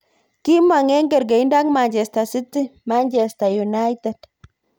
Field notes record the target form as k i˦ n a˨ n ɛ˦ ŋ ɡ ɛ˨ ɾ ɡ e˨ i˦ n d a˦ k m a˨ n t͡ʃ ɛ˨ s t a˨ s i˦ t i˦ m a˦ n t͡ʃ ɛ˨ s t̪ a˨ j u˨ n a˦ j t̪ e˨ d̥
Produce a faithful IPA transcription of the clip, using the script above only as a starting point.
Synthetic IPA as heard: k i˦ m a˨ ŋ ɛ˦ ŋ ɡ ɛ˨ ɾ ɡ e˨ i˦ n d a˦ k m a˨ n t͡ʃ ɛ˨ s t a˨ s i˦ t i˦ m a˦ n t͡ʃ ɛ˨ s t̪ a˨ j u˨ n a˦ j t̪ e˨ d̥